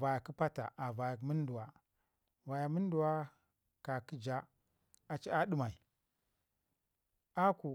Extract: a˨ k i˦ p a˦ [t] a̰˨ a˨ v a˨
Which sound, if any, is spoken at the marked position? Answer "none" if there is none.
t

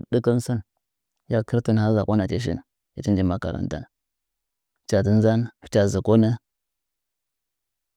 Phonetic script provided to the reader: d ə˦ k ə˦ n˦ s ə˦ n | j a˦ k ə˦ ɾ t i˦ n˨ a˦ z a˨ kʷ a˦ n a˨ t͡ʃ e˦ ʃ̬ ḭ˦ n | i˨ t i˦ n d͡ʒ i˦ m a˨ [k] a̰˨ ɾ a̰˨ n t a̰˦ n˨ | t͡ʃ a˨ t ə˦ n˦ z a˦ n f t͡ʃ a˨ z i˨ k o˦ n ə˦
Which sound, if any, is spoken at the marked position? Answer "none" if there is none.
k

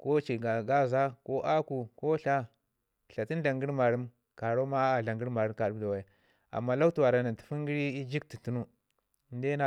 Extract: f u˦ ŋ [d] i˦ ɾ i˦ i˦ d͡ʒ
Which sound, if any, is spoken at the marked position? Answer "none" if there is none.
ɡ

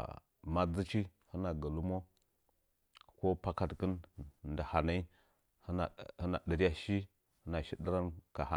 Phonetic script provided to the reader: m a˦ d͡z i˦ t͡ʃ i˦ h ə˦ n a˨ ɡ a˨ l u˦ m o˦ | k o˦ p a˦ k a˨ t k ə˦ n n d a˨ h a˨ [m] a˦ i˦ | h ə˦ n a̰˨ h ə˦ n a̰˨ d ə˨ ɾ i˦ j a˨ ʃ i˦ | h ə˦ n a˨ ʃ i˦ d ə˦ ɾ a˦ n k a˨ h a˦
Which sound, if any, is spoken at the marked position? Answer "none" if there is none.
n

